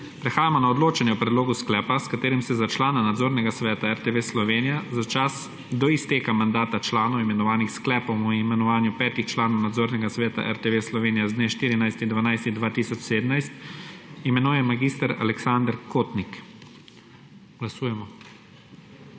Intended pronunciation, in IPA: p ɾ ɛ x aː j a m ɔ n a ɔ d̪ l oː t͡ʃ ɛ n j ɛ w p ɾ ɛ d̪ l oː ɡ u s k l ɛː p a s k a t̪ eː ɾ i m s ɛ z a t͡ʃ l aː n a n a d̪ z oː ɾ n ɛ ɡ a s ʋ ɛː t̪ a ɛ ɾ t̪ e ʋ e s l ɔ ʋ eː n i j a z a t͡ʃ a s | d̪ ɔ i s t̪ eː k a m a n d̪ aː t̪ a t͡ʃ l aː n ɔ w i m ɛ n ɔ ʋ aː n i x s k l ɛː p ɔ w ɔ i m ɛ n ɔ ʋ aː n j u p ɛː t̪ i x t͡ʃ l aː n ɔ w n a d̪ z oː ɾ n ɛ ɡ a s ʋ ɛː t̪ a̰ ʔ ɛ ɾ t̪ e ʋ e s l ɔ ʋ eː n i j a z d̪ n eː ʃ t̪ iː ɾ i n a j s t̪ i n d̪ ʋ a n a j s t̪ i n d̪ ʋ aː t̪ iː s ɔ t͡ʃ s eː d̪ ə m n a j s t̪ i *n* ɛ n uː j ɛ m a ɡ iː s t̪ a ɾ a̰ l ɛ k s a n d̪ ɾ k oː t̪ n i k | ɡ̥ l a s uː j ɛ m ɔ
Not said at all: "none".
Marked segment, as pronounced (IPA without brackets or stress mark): m